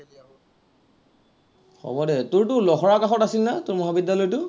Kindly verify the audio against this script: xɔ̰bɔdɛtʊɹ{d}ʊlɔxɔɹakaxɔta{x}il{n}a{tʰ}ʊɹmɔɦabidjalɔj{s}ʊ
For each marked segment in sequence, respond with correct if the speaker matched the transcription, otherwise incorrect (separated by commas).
incorrect, incorrect, correct, incorrect, incorrect